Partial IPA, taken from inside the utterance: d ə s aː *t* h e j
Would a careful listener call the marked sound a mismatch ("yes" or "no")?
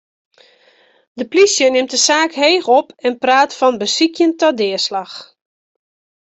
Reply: yes